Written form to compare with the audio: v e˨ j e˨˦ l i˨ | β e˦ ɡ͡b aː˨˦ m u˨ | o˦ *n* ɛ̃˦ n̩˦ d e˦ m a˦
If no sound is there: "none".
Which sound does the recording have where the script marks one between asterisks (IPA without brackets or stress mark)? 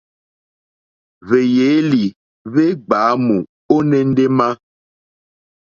n